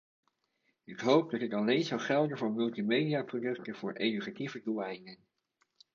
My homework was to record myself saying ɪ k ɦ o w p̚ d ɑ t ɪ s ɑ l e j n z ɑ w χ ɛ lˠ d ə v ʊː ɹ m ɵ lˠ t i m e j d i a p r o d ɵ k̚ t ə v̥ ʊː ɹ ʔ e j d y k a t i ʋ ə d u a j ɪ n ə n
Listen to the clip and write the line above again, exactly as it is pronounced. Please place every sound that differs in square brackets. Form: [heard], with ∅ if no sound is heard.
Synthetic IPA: ɪ k ɦ o w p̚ d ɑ t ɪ [t] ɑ l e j n z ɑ w χ ɛ lˠ d ə v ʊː ɹ m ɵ lˠ t i m e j d i a p r o d ɵ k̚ t ə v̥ ʊː ɹ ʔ e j d y k a t i [v] ə d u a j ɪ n ə n